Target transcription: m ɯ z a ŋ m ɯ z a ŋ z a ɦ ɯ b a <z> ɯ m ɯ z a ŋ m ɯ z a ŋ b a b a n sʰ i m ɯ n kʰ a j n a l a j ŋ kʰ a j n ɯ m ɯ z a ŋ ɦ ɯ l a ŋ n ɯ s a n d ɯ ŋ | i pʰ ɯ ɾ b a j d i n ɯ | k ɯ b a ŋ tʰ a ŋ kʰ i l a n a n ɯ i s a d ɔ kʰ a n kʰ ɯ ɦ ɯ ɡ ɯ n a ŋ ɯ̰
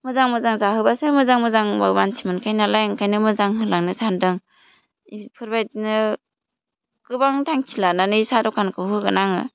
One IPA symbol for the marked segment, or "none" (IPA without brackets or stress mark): s